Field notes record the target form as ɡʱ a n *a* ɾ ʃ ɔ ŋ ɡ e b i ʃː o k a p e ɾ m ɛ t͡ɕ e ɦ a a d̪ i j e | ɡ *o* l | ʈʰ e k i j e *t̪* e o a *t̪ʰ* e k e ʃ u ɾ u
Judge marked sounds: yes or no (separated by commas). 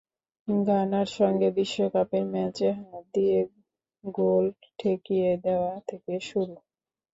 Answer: yes, yes, no, yes